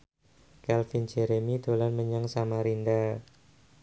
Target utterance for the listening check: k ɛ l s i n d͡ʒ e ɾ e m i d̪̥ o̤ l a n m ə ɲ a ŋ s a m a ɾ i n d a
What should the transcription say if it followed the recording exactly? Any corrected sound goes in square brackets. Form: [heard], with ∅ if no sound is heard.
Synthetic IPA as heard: k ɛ l [f] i n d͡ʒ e ɾ e m i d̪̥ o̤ l a n m ə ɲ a ŋ s a m a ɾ i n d a